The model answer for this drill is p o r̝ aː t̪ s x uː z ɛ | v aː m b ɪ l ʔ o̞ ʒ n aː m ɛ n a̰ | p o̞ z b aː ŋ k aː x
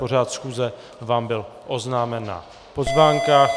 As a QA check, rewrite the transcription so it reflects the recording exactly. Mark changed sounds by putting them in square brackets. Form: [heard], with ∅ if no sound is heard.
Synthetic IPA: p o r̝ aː t̪ s x uː z ɛ | v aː m b ɪ l ʔ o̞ [z] n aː m ɛ n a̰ | p o̞ z [v] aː ŋ k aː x